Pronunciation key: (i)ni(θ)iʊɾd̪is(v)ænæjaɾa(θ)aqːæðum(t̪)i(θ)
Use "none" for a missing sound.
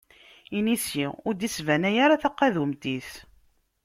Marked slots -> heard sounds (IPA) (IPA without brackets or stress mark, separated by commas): i, s, v, θ, t̪, θ